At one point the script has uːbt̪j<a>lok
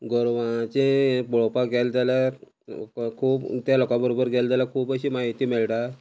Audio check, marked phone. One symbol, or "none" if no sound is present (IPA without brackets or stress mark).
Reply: a